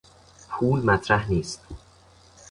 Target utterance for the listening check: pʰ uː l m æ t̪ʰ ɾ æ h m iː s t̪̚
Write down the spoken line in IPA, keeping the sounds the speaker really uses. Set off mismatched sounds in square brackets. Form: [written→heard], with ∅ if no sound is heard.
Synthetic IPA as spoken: pʰ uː l m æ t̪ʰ ɾ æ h [m→n] iː s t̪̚